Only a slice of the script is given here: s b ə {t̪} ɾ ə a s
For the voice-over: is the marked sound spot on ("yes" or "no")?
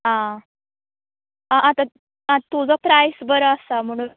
no